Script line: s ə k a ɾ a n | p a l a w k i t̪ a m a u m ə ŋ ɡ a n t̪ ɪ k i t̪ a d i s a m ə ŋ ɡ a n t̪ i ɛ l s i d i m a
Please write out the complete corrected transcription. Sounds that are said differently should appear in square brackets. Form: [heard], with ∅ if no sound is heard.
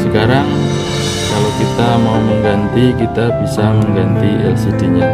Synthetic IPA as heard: s ə k a ɾ a [ŋ] | [k] a l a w k i t̪ a m a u m ə ŋ ɡ a n t̪ [i] k i t̪ a [b] i s a m ə ŋ ɡ a n t̪ i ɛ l s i d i [ɲ] a